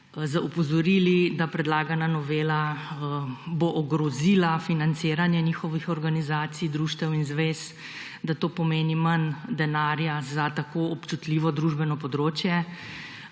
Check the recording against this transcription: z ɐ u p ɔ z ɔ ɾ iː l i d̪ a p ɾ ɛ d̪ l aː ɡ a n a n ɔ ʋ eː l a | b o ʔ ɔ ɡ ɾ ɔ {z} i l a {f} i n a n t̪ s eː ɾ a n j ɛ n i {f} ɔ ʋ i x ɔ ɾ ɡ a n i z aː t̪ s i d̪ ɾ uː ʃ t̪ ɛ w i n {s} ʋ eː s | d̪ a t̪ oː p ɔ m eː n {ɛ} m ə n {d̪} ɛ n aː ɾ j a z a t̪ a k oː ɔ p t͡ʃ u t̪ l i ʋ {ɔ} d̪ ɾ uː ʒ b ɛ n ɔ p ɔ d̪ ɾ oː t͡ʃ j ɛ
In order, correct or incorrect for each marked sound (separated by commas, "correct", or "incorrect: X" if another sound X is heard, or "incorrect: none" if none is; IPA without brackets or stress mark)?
correct, correct, incorrect: x, incorrect: z, incorrect: i, correct, correct